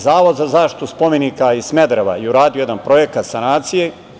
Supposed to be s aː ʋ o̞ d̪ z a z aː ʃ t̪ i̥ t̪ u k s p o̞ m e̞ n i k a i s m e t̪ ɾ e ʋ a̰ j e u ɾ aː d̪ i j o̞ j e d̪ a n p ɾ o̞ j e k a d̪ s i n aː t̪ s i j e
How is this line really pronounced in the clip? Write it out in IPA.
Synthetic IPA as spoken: z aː ʋ o̞ d̪ z a z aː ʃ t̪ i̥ t̪ u s p o̞ m e̞ n i k a i s m e d̪ ɾ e ʋ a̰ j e u ɾ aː d̪ i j o̞ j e d̪ a n p ɾ o̞ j e k a t̪ s a n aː t̪ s i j e